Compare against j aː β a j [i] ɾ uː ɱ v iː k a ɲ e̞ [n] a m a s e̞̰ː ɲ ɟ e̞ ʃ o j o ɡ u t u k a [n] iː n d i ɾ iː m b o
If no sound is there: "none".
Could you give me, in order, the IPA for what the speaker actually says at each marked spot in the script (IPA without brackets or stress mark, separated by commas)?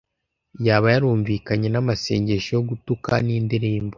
a, n, n